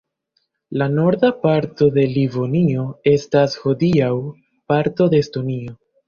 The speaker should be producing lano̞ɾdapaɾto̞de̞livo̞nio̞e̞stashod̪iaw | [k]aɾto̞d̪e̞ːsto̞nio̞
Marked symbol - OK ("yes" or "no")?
no